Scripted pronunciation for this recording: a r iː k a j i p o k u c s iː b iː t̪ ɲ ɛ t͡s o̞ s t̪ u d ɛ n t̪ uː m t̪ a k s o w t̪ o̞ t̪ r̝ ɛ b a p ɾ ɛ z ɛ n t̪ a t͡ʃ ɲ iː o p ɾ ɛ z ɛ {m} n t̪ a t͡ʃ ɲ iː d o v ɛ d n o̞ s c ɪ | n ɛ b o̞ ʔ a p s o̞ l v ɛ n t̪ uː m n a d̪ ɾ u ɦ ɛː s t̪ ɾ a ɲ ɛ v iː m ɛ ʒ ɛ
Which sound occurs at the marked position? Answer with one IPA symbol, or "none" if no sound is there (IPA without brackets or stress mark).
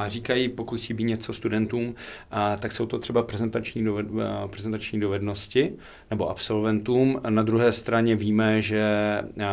none